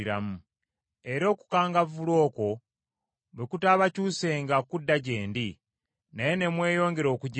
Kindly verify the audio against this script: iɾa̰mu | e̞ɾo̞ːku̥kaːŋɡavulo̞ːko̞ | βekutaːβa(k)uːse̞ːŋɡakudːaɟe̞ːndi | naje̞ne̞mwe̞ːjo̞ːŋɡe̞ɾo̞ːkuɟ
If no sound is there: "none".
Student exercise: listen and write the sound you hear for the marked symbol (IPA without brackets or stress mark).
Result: c